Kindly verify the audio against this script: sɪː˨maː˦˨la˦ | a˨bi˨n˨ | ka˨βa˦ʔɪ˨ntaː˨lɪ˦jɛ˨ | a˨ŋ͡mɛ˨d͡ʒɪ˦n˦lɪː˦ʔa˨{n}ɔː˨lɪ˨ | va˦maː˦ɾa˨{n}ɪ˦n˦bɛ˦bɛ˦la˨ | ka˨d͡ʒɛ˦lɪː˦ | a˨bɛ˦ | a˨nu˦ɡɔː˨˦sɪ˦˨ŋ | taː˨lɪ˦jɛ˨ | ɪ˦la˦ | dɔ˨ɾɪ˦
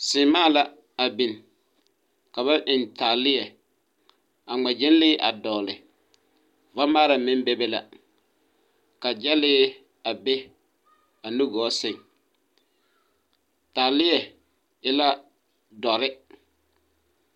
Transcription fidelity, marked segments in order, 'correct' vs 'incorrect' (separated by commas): incorrect, incorrect